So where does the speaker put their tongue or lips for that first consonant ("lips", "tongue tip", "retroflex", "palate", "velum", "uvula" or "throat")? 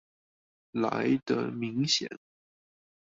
tongue tip